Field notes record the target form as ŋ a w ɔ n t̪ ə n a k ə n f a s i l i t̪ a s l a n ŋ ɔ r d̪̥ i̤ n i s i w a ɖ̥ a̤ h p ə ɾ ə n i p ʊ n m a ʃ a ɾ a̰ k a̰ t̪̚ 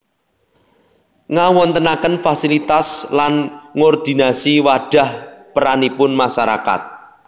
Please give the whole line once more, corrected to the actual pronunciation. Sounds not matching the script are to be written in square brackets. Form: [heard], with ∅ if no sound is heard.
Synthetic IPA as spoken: ŋ a w ɔ n t̪ ə n a k ə n f a s i l i t̪ a s l a n ŋ ɔ r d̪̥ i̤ n [a] s i w a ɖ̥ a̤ h p ə ɾ [a] n i p ʊ n m a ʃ a ɾ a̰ k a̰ t̪̚